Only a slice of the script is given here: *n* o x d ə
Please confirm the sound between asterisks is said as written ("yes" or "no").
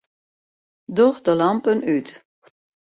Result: no